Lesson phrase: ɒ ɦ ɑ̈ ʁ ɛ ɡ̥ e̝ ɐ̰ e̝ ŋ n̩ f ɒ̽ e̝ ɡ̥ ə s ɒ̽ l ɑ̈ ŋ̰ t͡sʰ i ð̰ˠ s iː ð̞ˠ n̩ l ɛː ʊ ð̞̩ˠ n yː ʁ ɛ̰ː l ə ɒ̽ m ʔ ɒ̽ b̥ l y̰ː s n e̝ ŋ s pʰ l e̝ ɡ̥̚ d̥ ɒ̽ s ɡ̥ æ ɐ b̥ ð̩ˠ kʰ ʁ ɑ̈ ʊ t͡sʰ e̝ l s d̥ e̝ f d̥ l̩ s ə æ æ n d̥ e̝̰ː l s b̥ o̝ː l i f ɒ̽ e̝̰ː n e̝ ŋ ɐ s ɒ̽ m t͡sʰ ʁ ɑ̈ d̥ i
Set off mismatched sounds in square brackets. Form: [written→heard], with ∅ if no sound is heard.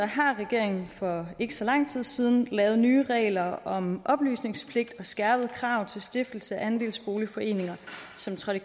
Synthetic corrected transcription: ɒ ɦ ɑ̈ ʁ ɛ ɡ̥ e̝ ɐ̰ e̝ ŋ n̩ f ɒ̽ e̝ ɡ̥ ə s ɒ̽ l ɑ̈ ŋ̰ t͡sʰ i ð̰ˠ s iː ð̞ˠ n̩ l ɛː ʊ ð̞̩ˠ n yː ʁ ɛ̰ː l [ə→ɐ] ɒ̽ m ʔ ɒ̽ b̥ l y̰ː s n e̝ ŋ s pʰ l e̝ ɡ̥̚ d̥ ɒ̽ s ɡ̥ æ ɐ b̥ ð̩ˠ kʰ ʁ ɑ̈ ʊ t͡sʰ e̝ l s d̥ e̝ f d̥ l̩ s ə æ æ n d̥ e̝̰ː l s b̥ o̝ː l i f ɒ̽ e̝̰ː n e̝ ŋ ɐ s ɒ̽ m t͡sʰ ʁ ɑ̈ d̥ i